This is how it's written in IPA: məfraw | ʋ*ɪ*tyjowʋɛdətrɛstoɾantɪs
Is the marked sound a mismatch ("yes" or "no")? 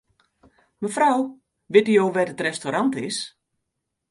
no